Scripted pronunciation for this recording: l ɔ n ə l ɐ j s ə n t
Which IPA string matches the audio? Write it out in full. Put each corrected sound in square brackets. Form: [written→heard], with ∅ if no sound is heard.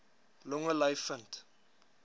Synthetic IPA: l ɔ [n→ŋ] ə l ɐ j [s→f] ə n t

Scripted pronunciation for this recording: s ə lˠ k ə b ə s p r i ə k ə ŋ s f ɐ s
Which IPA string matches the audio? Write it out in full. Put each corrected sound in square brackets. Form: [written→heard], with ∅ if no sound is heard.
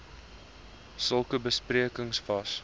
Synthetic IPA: s ə lˠ k ə b ə s p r i ə k ə ŋ s f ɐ s

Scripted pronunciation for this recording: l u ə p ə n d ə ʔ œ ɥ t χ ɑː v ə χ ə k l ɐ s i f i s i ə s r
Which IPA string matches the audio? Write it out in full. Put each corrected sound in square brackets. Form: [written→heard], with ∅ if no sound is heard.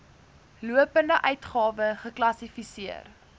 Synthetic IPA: l u ə p ə n d ə ʔ œ ɥ t χ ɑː v ə χ ə k l ɐ s i f i s i ə [s→∅] r

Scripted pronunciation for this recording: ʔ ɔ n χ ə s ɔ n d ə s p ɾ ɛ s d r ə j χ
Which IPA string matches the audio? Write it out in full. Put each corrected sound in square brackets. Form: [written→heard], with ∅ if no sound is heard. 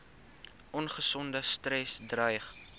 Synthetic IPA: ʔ ɔ n χ ə s ɔ n d ə s [p→t] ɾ ɛ s d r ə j χ

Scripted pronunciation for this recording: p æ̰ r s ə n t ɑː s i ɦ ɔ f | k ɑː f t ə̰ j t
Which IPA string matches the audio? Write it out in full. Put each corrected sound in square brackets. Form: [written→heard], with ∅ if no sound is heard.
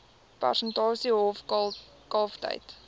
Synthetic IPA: p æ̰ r s ə n t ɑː s i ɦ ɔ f | k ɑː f t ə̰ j t

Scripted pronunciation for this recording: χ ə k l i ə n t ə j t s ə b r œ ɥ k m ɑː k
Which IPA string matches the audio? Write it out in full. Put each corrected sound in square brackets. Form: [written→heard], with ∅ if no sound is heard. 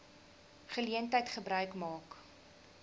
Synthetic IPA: χ ə [k→∅] l i ə n t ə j t [s→χ] ə b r œ ɥ k m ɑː k

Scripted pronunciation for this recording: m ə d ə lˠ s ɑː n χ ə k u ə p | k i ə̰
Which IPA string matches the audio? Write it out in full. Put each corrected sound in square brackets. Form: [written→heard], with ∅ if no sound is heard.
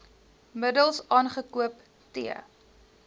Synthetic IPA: m ə d ə lˠ s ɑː n χ ə k u ə p | [k→t] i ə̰

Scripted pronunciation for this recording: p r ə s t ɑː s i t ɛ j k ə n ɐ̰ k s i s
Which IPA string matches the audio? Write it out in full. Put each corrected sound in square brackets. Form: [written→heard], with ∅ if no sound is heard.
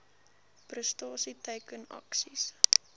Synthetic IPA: p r ə s t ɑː s i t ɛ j k ə n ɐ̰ k s i s

